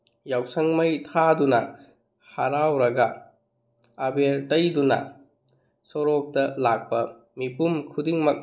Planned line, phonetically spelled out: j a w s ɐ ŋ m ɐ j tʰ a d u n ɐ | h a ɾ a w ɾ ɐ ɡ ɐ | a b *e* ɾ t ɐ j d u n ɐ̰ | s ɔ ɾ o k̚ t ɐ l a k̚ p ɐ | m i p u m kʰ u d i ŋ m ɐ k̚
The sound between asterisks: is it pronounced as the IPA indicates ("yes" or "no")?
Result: yes